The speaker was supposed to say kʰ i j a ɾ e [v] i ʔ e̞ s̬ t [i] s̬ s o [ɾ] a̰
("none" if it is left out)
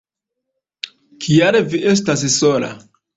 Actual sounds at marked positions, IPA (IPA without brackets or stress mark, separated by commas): v, a, l